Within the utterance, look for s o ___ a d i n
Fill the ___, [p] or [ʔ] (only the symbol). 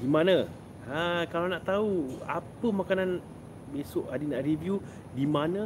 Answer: ʔ